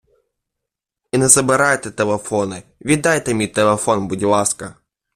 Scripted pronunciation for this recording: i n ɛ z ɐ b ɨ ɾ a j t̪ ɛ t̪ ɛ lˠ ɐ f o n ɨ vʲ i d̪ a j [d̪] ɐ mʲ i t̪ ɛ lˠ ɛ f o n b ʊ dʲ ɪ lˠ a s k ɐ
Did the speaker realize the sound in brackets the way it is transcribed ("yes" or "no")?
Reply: no